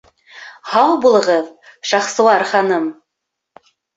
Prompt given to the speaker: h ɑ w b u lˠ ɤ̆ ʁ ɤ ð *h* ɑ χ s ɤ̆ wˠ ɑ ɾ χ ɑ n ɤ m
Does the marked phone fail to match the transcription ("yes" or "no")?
yes